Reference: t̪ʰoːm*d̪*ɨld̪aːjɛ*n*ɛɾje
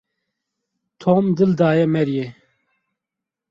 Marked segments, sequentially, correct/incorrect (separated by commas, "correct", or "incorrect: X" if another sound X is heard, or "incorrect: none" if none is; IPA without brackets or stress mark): correct, incorrect: m